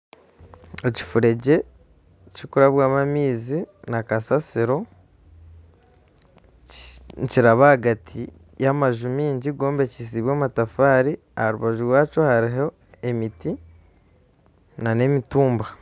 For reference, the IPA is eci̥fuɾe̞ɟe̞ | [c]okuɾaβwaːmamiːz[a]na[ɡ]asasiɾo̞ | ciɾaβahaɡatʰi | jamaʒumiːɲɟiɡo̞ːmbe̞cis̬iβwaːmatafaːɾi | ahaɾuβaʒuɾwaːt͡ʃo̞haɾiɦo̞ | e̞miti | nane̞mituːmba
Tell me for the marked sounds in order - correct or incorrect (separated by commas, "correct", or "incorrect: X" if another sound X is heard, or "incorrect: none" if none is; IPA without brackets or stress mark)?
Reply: correct, incorrect: i, incorrect: k